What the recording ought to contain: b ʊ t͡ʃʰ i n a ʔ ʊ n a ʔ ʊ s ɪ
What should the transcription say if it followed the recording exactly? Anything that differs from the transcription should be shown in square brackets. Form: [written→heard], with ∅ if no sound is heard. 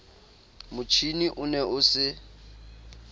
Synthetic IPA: [b→m] ʊ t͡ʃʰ i n [a→i] ʔ ʊ n [a→ɛ] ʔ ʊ s ɪ